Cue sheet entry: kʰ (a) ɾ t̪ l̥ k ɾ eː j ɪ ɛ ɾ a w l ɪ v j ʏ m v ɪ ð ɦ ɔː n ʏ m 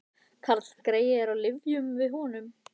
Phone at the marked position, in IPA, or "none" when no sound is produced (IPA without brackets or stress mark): a